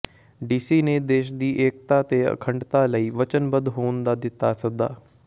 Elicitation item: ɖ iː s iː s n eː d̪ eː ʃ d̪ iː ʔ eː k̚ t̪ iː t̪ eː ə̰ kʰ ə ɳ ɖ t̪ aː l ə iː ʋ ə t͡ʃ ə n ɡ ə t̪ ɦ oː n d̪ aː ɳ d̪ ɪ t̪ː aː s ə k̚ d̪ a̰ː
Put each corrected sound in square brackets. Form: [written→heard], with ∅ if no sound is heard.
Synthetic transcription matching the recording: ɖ iː s iː [s→∅] n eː d̪ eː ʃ d̪ iː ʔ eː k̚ t̪ [iː→aː] t̪ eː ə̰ kʰ ə ɳ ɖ t̪ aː l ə iː ʋ ə t͡ʃ ə n [ɡ→b] ə [t̪→d̪] ɦ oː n d̪ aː [ɳ→∅] d̪ ɪ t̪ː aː s ə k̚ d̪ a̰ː